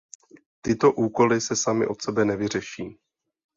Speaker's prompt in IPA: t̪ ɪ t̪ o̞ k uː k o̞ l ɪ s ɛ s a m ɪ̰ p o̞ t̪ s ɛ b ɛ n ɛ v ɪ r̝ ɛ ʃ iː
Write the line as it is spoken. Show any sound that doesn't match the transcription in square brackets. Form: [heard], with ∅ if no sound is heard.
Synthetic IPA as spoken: t̪ ɪ t̪ o̞ [ʔ] uː k o̞ l ɪ s ɛ s a m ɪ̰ [ʔ] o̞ t̪ s ɛ b ɛ n ɛ v ɪ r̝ ɛ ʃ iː

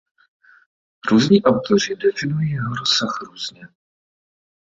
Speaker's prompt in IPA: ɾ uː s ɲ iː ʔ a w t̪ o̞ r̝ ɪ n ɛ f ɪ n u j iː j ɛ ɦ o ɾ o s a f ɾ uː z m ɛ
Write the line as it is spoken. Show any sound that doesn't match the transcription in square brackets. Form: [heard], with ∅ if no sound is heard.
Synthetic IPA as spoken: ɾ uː [z] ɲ iː ʔ a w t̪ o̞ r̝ ɪ [d] ɛ f ɪ n u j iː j ɛ ɦ o ɾ o s a [x] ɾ uː z [ɲ] ɛ

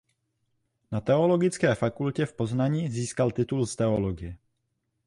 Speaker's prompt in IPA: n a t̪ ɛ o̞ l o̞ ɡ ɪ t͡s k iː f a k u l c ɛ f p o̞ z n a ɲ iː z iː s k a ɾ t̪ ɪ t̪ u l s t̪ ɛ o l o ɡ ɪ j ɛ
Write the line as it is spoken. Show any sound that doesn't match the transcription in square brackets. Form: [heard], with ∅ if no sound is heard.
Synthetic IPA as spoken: n a t̪ ɛ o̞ l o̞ ɡ ɪ t͡s k [ɛː] f a k u l c ɛ f p o̞ z n a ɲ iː z iː s k a [l] t̪ ɪ t̪ u l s t̪ ɛ o l o ɡ ɪ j ɛ

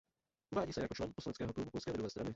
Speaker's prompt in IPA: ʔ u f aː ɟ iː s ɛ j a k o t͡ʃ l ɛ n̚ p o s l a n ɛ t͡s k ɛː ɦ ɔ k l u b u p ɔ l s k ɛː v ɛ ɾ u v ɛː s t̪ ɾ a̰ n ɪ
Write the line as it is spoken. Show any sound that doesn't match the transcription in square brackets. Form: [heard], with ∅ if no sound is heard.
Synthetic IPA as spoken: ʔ u [v] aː ɟ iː s ɛ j a k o t͡ʃ l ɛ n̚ p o s l a n ɛ t͡s k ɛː ɦ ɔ k l u b u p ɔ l s k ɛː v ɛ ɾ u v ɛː s t̪ ɾ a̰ n ɪ

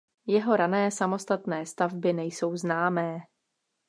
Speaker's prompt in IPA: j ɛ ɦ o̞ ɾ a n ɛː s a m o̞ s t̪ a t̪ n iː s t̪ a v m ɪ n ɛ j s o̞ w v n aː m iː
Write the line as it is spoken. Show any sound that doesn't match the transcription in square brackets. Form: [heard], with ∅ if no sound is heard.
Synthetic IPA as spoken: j ɛ ɦ o̞ ɾ a n ɛː s a m o̞ s t̪ a t̪ n [ɛː] s t̪ a v [b] ɪ n ɛ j s o̞ w [z] n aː m [ɛː]

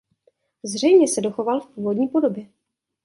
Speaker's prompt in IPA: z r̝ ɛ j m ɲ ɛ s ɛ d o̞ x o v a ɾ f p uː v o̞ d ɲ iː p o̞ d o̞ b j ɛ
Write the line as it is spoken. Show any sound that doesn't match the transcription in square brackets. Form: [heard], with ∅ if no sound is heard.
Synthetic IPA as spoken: z r̝ ɛ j m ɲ ɛ s ɛ d o̞ x o v a [l] f p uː v o̞ d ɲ iː p o̞ d o̞ b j ɛ

